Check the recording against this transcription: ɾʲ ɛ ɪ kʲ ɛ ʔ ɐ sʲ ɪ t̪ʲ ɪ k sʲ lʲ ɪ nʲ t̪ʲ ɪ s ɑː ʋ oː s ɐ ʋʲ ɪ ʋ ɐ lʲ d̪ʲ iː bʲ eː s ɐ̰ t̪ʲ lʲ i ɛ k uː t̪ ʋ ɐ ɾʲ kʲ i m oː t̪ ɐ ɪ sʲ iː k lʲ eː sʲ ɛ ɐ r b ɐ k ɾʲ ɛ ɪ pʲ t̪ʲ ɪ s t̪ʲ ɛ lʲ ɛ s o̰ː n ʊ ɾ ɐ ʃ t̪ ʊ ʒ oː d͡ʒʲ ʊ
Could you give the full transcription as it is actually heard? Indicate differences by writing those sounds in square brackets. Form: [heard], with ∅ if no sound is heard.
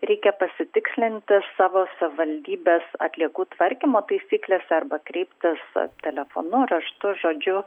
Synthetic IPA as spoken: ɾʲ ɛ ɪ kʲ ɛ [p] ɐ sʲ ɪ t̪ʲ ɪ k sʲ lʲ ɪ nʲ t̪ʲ ɪ s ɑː ʋ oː s ɐ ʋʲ ɪ ʋ ɐ lʲ d̪ʲ iː bʲ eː s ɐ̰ t̪ʲ lʲ i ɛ k uː t̪ ʋ ɐ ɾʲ kʲ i m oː t̪ ɐ ɪ sʲ iː k lʲ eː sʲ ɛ ɐ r b ɐ k ɾʲ ɛ ɪ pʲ t̪ʲ ɪ s t̪ʲ ɛ lʲ ɛ [f] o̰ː n ʊ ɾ ɐ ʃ t̪ ʊ ʒ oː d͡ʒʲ ʊ